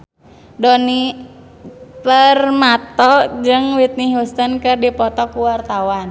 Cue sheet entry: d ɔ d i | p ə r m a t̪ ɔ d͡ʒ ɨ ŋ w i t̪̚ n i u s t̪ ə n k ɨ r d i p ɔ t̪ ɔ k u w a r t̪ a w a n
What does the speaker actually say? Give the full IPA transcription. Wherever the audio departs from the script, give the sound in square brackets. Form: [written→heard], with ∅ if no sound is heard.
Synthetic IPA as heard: d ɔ [d→n] i | p ə r m a t̪ ɔ d͡ʒ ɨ ŋ w i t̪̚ n i u s t̪ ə n k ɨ r d i p ɔ t̪ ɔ k u w a r t̪ a w a n